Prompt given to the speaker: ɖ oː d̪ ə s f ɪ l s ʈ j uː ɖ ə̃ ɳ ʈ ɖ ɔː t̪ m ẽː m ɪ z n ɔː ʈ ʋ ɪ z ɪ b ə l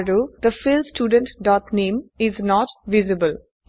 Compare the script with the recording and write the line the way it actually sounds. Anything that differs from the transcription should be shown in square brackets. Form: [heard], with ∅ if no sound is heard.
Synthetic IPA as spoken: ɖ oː d̪ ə [∅] f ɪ l s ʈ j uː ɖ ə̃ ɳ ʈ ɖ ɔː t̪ [n] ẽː m ɪ z n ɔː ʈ ʋ ɪ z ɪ b ə l

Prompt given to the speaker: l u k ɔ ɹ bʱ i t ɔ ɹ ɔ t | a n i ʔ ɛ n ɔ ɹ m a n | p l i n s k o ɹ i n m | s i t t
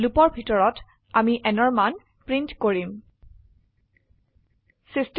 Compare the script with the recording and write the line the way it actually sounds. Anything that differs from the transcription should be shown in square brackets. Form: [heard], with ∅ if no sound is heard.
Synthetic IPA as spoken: l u [p] ɔ ɹ bʱ i t ɔ ɹ ɔ t | a [m] i ʔ ɛ n ɔ ɹ m a n | p [ɹ] i n [t] k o ɹ i [∅] m | s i [s] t

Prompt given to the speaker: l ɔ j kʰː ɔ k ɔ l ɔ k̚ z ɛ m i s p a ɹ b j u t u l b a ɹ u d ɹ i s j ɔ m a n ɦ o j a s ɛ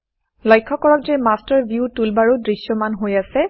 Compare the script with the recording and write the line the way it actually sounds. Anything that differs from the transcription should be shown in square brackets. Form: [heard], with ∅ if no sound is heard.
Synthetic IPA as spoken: l ɔ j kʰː ɔ k ɔ [ɹ] ɔ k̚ z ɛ m [a] s [t] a ɹ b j u t u l b a ɹ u d ɹ i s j ɔ m a n ɦ o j a s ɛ

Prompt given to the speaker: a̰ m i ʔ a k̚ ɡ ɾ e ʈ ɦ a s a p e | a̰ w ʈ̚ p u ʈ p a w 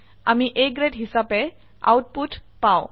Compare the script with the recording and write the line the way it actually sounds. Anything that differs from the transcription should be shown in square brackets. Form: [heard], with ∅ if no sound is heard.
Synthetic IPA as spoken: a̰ m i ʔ [e] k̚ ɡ ɾ e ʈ ɦ [i] s a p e | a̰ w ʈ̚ p u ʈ p a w

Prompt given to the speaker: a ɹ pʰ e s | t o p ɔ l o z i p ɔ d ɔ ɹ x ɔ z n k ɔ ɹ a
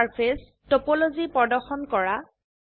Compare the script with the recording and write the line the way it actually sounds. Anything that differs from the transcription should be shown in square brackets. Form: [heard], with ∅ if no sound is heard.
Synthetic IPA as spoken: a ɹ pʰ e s | t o p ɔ l o z i p ɔ d ɔ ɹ x ɔ [∅] n k ɔ ɹ a

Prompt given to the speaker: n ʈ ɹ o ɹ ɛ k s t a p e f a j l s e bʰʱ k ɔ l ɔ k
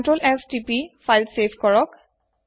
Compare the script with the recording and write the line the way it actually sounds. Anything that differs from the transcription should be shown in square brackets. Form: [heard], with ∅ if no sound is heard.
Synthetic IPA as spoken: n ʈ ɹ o [l] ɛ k s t [i] p [i] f a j l s e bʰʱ k ɔ [ɹ] ɔ k

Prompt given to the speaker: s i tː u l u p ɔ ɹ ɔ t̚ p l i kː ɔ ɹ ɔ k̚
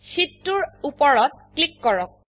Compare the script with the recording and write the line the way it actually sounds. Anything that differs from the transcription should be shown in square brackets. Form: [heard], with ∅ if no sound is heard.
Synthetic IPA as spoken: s i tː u [ɹ] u p ɔ ɹ ɔ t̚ [k] l i kː ɔ ɹ ɔ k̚

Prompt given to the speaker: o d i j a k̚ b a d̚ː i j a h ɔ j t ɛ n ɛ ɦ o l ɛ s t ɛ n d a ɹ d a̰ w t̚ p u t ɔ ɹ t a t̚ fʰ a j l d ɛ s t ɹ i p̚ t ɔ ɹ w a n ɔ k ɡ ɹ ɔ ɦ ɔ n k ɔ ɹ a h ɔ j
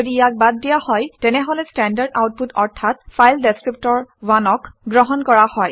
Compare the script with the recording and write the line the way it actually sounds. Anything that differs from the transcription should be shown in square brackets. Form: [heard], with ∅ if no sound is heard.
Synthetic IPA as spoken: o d i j a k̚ b a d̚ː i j a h ɔ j t ɛ n ɛ ɦ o l ɛ s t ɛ n d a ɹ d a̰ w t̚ p u t ɔ ɹ [tʰ] a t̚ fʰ a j l d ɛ s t ɹ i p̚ t ɔ ɹ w a n ɔ k ɡ ɹ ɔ ɦ ɔ n k ɔ ɹ a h ɔ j

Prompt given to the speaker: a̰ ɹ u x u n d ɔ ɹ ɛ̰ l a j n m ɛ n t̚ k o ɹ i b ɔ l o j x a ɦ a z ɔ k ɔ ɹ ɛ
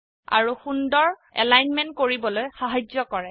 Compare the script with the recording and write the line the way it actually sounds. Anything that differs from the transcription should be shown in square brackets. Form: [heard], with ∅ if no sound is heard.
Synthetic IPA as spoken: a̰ ɹ u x u n d ɔ ɹ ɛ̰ l a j n m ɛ n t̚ k o ɹ i b ɔ l o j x a ɦ a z ɔ k ɔ ɹ ɛ

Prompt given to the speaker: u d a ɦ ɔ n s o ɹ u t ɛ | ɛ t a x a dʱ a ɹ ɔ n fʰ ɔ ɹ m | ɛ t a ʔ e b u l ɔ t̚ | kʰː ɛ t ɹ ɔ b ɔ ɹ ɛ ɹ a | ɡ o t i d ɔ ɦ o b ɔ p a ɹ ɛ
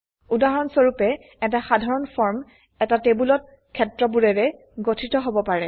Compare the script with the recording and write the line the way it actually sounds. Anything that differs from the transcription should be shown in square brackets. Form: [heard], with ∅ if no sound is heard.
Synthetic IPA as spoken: u d a ɦ ɔ n s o ɹ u [p] ɛ | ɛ t a x a dʱ a ɹ ɔ n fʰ ɔ ɹ m | ɛ t a [t] e b u l ɔ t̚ | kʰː ɛ t ɹ ɔ b [u] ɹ ɛ ɹ [ɛ] | ɡ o [tʰ] i [t] ɔ ɦ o b ɔ p a ɹ ɛ

